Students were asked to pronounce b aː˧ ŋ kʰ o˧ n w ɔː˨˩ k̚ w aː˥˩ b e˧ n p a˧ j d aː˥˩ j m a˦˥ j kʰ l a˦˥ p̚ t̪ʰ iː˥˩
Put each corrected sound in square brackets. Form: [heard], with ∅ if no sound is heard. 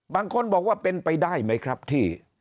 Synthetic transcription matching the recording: b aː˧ ŋ kʰ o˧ n [b] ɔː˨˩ k̚ w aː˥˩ [p] e˧ n p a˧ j d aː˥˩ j m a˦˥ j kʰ [ɾ] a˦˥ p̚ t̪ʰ iː˥˩